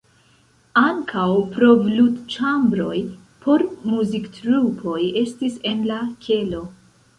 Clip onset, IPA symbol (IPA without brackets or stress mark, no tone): a